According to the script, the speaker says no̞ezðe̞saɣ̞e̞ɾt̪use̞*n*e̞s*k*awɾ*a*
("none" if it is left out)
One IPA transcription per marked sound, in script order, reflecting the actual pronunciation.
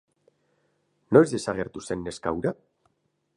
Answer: nː, k, a

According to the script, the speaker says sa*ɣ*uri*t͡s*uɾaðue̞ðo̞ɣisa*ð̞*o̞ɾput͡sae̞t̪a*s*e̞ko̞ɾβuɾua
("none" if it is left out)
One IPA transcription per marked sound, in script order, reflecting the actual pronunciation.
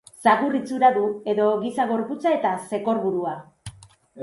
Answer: ɣ, t͡s, ɣ̞, s

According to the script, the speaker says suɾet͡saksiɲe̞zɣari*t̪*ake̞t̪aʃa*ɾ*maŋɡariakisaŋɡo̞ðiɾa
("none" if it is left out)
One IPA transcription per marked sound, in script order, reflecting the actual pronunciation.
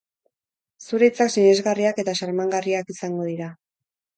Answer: none, ɾ

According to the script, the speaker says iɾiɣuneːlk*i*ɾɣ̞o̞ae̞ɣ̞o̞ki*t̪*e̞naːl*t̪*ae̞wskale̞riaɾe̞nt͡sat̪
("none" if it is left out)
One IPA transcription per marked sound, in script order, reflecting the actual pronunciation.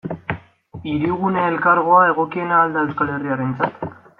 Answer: a, none, d̪

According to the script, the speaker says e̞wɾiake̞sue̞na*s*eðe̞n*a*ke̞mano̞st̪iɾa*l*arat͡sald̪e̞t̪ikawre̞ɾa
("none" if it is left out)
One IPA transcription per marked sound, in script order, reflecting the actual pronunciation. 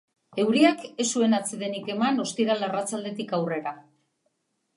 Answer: t͡s, i, l

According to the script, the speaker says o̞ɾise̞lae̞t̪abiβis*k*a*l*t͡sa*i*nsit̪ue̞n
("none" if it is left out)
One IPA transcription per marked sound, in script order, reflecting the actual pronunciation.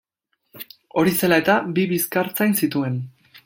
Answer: k, ɾ, j

